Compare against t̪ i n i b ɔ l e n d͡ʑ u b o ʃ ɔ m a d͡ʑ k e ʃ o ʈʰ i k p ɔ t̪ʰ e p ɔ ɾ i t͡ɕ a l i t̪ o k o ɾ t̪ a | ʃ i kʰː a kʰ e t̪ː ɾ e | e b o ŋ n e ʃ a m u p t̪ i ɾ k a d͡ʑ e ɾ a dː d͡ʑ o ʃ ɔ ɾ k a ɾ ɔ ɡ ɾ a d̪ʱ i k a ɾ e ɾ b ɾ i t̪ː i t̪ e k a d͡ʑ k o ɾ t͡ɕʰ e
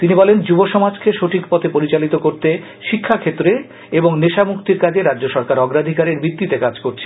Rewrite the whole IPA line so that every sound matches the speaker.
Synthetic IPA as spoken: t̪ i n i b ɔ l e n d͡ʑ u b o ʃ ɔ m a d͡ʑ k e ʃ o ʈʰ i k p ɔ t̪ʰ e p o ɾ i t͡ɕ a l i t̪ o k o ɾ t̪ e | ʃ i kʰː a kʰ e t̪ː ɾ e | e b o ŋ n e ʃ a m u k t̪ i ɾ k a d͡ʑ e ɾ a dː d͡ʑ o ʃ ɔ ɾ k a ɾ ɔ ɡ ɾ a d̪ʱ i k a ɾ e ɾ b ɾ i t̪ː i t̪ e k a d͡ʑ k o ɾ t͡ɕʰ e